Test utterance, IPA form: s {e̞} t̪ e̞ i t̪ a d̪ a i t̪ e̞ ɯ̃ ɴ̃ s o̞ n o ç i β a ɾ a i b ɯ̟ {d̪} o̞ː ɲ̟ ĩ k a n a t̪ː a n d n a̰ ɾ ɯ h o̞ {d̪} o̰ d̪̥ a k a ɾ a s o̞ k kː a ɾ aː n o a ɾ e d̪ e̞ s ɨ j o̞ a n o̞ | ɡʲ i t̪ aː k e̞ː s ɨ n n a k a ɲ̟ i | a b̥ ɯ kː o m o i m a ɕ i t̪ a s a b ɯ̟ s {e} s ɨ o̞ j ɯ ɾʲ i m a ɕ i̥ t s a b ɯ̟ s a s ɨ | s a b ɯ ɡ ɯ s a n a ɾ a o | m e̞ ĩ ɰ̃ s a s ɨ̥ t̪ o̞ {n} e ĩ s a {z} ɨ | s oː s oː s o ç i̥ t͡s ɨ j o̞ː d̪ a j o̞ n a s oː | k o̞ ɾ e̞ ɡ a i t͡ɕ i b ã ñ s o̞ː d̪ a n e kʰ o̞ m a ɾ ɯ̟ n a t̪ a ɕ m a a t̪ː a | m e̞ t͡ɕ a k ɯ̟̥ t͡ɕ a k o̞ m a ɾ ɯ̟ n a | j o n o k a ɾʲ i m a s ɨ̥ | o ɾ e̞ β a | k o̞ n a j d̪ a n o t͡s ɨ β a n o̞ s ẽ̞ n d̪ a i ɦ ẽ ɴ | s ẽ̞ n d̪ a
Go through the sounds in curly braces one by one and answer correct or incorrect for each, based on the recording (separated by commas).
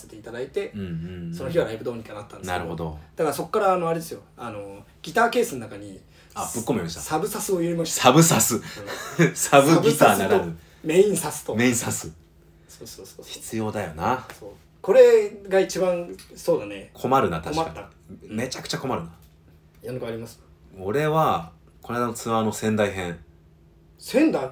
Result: correct, correct, correct, incorrect, incorrect, incorrect